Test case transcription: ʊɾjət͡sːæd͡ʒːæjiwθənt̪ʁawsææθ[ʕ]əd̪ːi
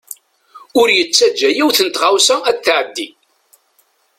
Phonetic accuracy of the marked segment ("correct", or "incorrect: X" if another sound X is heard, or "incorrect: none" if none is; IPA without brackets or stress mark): correct